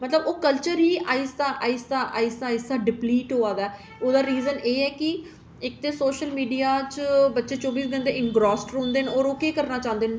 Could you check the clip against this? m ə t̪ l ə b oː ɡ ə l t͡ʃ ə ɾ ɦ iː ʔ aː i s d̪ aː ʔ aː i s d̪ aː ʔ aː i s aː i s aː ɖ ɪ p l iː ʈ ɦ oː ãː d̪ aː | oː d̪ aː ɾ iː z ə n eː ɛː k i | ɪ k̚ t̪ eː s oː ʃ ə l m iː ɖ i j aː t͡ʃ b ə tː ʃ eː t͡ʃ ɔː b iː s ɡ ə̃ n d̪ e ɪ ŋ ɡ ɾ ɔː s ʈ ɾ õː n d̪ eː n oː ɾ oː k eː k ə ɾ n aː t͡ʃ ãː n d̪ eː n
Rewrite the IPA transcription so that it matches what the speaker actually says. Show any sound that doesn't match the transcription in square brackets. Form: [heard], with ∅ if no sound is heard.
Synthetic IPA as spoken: m ə t̪ l ə b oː [k] ə l t͡ʃ ə ɾ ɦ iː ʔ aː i s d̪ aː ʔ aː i s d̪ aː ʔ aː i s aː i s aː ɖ ɪ p l iː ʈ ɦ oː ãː d̪ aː | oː d̪ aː ɾ iː z ə n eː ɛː k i | ɪ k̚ t̪ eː s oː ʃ ə l m iː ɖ i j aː t͡ʃ b ə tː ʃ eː t͡ʃ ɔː b iː s ɡ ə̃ n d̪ e ɪ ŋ ɡ ɾ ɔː s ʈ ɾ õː n d̪ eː n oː ɾ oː k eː k ə ɾ n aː t͡ʃ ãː n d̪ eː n